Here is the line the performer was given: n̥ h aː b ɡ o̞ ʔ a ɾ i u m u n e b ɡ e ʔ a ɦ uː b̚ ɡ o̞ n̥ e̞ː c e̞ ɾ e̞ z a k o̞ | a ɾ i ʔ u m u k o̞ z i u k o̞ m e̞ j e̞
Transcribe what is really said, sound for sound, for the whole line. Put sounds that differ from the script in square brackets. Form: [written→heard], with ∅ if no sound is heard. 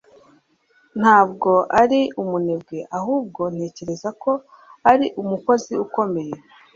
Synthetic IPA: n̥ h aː b ɡ o̞ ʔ a ɾ i u m u n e b ɡ e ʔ a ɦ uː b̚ ɡ o̞ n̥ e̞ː c e̞ ɾ e̞ z a k o̞ | a ɾ i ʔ u m u k o̞ z i u k o̞ m e̞ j e̞